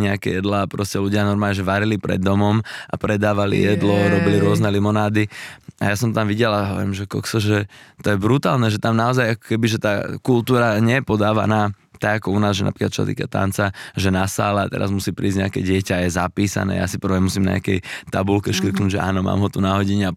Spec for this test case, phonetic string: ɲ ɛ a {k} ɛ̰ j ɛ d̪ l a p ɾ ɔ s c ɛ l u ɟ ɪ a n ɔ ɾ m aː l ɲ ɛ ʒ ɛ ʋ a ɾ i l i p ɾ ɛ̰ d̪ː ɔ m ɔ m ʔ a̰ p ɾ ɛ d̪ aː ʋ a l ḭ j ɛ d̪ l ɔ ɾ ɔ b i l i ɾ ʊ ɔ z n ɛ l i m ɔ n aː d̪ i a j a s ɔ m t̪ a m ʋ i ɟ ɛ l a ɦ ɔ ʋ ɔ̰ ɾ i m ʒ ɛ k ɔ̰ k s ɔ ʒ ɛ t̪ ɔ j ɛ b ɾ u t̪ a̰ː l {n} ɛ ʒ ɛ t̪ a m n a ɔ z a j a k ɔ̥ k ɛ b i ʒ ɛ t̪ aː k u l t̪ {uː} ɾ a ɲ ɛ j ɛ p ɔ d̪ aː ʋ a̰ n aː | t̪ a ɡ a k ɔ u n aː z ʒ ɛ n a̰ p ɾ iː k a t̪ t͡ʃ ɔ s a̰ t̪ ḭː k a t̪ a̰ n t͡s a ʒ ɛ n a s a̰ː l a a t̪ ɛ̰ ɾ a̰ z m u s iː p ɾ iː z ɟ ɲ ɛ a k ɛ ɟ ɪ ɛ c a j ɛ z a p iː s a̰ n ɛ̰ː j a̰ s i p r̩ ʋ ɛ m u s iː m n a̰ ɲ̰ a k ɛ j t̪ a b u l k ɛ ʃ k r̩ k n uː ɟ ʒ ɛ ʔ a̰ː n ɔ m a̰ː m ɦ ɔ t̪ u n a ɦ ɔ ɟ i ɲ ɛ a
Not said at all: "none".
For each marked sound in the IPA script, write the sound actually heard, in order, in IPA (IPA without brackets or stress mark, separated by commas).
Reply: k, n, uː